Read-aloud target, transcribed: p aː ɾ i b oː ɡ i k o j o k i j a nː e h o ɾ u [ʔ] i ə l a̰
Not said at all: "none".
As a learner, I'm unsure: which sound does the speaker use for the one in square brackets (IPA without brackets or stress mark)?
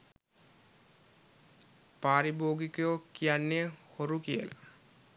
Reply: k